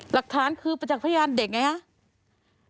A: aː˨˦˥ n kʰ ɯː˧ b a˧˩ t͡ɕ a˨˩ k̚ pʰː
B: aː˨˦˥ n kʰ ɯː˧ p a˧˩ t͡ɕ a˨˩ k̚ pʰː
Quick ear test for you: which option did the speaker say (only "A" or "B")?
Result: B